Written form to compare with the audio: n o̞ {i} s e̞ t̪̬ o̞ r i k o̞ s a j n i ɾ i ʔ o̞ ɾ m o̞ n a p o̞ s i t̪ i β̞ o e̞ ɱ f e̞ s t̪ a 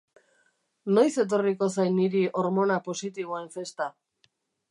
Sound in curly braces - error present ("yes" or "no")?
yes